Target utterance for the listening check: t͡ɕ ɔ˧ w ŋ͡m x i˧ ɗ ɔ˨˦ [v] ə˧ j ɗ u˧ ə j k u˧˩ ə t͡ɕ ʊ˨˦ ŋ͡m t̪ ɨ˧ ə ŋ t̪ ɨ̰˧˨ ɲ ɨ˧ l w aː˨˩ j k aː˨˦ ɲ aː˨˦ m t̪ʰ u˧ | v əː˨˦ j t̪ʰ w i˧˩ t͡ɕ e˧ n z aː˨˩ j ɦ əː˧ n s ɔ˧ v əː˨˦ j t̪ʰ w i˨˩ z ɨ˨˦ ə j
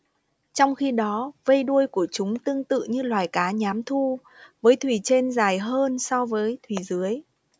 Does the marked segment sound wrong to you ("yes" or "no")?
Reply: no